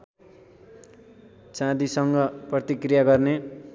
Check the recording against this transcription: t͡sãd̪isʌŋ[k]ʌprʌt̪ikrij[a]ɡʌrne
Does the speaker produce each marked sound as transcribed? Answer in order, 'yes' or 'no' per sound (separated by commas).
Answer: no, yes